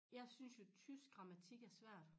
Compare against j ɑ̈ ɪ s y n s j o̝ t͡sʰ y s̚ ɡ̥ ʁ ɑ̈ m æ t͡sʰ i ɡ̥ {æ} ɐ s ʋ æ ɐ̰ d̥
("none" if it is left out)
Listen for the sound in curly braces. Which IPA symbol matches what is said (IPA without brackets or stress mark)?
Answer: æ